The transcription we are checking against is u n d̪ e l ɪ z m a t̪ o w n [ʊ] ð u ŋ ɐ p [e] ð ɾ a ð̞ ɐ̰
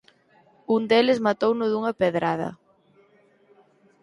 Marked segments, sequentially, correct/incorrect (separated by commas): correct, correct